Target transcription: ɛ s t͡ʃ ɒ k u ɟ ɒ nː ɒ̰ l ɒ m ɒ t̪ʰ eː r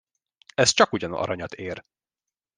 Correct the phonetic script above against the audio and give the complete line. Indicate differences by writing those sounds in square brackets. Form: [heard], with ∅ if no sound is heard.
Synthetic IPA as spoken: ɛ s t͡ʃ ɒ k u ɟ ɒ [n] ɒ̰ [ɾ] ɒ [ɲ] ɒ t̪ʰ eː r

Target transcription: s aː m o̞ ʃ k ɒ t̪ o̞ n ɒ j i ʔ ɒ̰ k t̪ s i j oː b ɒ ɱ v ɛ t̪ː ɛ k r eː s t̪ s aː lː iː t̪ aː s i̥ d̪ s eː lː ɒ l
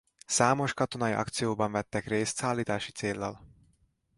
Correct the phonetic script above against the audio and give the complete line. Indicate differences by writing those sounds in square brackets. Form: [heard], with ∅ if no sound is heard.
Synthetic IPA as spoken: s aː m o̞ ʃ k ɒ t̪ o̞ n ɒ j i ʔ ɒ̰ k t̪ s i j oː b ɒ ɱ v ɛ t̪ː ɛ k r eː s t̪ s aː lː iː t̪ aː [ʃ] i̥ [t̪] s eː lː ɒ l

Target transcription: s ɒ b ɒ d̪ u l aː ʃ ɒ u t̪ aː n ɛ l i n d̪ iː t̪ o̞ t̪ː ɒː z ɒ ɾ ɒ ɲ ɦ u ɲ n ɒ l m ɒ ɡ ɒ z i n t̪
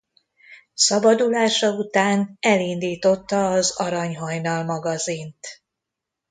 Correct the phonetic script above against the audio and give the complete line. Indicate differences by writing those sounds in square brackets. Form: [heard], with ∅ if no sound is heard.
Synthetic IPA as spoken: s ɒ b ɒ d̪ u l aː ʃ ɒ u t̪ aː n ɛ l i n d̪ iː t̪ o̞ t̪ː ɒː z ɒ ɾ ɒ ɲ ɦ [ɒ] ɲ n ɒ l m ɒ ɡ ɒ z i n t̪

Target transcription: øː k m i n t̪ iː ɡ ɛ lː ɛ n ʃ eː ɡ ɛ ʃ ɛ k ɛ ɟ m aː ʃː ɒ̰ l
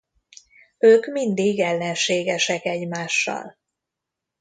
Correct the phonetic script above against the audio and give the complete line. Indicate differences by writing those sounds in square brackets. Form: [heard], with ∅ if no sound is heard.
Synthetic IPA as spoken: øː k m i n [d̪] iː ɡ ɛ lː ɛ n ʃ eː ɡ ɛ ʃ ɛ k ɛ ɟ m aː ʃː ɒ̰ l

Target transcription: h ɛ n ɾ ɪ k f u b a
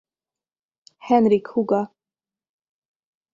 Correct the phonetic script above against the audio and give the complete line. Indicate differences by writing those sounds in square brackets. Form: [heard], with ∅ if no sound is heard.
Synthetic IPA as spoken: h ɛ n ɾ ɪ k [h] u [ɡ] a

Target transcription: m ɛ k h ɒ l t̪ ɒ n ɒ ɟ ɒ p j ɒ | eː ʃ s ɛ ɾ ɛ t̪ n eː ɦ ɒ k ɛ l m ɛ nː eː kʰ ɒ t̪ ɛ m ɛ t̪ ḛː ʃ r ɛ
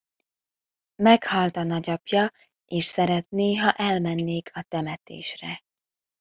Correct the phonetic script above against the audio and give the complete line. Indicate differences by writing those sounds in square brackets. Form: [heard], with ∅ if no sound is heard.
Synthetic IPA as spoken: m ɛ k h ɒ l t̪ ɒ n ɒ ɟ ɒ p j ɒ | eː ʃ s ɛ ɾ ɛ t̪ n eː ɦ ɒ [ʔ] ɛ l m ɛ nː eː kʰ ɒ t̪ ɛ m ɛ t̪ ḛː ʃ r ɛ

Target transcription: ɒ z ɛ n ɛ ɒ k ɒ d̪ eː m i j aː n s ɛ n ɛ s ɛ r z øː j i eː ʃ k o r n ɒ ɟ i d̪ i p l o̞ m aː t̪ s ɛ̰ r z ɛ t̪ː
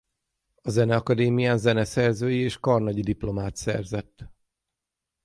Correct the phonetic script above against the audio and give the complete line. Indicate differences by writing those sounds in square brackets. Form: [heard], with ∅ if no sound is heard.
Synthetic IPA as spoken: ɒ z ɛ n ɛ ɒ k ɒ d̪ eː m i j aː n [z] ɛ n ɛ s ɛ r z øː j i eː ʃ k [ɒ] r n ɒ ɟ i d̪ i p l o̞ m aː t̪ s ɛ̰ r z ɛ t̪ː

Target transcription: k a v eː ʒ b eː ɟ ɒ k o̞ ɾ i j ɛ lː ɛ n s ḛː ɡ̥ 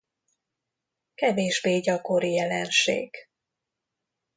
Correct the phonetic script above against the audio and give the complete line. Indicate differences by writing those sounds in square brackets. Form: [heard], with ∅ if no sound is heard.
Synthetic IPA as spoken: k [ɛ] v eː ʒ b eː ɟ ɒ k o̞ ɾ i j ɛ [l] ɛ n [ʃ] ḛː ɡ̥

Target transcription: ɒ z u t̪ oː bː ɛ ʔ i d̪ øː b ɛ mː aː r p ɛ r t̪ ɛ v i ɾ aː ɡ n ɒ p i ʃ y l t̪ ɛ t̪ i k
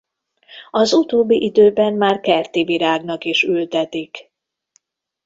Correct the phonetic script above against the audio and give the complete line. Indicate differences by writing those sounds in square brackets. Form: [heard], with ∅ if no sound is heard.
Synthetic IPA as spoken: ɒ z u t̪ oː bː [i] ʔ i d̪ øː b ɛ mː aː r [k] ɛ r t̪ [i] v i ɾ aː ɡ n ɒ [k] i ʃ y l t̪ ɛ t̪ i k

